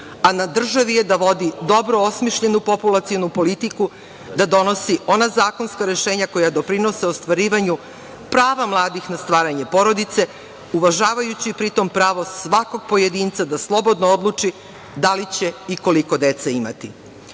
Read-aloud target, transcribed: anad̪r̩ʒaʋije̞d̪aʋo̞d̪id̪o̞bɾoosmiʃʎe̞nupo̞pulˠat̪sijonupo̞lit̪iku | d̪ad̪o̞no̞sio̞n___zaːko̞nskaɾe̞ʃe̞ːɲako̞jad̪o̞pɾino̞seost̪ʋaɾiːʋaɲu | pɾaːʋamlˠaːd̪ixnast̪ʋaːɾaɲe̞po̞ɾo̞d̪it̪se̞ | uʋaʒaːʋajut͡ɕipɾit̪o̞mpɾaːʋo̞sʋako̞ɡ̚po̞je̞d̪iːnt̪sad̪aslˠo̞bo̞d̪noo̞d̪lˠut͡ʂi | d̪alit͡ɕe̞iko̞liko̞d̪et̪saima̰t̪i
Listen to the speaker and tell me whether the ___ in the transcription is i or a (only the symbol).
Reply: a